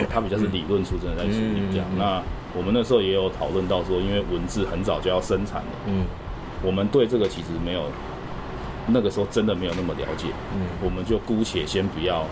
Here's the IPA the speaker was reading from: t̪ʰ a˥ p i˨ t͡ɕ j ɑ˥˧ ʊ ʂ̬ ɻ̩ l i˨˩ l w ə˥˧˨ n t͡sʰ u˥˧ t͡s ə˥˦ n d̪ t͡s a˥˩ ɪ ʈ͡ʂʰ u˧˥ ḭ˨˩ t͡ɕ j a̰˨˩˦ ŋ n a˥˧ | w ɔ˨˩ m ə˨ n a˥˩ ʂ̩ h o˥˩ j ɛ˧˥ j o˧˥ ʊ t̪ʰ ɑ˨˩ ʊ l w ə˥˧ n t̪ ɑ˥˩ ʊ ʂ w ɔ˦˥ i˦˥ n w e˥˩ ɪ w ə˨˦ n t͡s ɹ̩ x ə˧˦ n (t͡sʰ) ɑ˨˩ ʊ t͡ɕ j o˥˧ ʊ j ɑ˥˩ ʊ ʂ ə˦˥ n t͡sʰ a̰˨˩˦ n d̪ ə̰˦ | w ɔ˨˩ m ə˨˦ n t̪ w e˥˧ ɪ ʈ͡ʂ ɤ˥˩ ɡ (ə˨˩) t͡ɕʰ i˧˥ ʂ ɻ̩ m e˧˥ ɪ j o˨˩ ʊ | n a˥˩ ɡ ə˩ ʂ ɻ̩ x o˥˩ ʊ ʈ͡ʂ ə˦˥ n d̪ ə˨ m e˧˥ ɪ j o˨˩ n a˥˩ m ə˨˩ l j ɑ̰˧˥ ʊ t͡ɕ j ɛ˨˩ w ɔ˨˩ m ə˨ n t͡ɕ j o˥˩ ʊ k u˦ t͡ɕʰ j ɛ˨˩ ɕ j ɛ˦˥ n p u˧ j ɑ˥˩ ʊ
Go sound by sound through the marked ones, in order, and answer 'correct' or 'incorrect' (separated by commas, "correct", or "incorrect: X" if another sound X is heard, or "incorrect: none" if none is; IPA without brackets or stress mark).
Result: incorrect: t͡s, correct